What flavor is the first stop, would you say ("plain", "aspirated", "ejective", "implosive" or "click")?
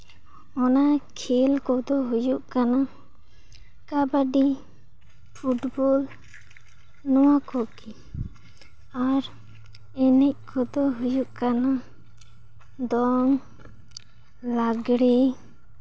aspirated